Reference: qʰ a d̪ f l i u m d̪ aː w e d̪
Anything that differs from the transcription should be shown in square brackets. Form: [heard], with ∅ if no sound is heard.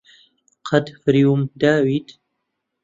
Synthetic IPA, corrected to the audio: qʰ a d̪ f [ɾ] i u m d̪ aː w [i] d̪